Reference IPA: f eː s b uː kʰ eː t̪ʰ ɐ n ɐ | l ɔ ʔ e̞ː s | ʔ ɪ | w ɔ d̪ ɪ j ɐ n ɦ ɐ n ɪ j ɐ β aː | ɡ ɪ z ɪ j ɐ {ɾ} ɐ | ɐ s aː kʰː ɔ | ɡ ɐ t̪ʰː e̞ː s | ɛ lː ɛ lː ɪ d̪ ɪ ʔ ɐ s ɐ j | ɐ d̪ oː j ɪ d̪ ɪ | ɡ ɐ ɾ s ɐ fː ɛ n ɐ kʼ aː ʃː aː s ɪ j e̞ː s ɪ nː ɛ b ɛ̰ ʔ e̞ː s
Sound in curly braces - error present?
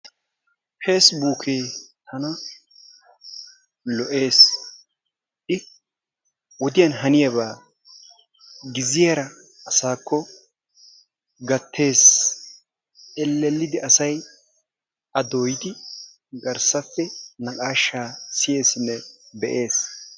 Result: no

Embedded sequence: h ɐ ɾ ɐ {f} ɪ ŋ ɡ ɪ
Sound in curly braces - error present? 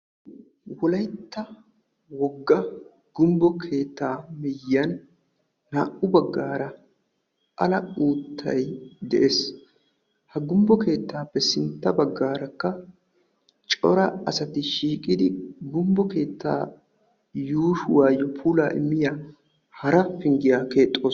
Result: no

